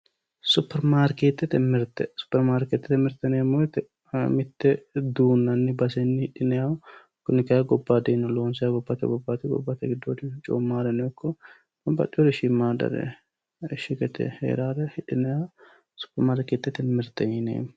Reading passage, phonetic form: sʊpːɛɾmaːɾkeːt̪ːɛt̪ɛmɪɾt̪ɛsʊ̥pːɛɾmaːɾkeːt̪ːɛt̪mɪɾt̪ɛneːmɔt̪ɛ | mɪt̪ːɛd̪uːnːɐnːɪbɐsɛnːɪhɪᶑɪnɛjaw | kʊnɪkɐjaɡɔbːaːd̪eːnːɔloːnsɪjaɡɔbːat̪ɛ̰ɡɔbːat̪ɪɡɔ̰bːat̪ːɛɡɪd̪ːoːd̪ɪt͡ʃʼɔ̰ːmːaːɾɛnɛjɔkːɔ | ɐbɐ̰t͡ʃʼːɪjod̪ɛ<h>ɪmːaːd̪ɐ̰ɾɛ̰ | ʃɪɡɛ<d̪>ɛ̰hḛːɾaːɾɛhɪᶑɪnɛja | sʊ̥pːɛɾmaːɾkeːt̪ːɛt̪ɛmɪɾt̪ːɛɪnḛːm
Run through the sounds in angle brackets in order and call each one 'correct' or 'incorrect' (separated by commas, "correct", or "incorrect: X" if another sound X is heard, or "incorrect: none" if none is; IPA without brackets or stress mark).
incorrect: ʃ, incorrect: t̪